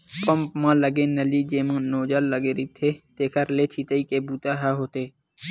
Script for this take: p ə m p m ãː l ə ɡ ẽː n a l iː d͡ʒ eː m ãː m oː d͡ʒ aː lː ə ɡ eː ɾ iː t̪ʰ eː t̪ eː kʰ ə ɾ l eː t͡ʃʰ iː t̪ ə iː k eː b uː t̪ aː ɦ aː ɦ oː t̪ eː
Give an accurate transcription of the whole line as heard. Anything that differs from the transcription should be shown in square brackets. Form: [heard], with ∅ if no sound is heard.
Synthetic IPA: p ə m p m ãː l ə ɡ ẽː n [ə] l iː d͡ʒ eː m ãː [n] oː d͡ʒ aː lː ə ɡ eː ɾ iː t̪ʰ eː t̪ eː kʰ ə ɾ l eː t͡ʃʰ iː t̪ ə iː k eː b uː t̪ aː ɦ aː ɦ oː t̪ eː